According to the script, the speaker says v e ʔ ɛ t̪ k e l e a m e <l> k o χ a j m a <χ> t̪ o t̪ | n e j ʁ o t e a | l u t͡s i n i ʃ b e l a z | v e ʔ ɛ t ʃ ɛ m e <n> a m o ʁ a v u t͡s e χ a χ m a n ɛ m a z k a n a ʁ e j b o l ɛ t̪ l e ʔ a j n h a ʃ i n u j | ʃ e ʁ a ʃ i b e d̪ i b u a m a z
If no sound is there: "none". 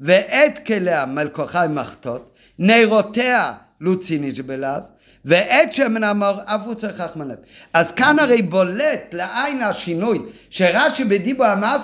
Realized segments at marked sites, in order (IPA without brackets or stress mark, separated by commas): l, χ, n